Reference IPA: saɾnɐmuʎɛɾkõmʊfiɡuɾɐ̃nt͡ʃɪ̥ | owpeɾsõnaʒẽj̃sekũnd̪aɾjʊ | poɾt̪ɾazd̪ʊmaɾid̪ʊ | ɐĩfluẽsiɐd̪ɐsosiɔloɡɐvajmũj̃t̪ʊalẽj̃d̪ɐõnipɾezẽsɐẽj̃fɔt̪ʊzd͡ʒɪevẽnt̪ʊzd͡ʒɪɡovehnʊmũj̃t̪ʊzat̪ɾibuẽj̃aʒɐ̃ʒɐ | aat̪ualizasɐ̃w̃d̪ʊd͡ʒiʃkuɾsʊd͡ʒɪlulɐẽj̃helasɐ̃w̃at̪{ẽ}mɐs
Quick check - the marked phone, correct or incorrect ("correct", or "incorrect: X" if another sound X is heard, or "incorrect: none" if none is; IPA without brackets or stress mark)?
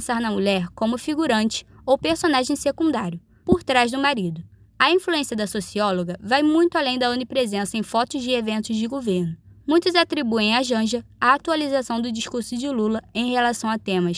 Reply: correct